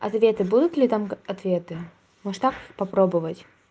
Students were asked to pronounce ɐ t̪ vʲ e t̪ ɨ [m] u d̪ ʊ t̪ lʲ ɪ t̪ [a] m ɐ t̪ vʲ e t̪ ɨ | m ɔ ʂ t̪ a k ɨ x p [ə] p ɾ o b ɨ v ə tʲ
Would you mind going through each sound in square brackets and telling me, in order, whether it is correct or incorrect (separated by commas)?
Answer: incorrect, correct, incorrect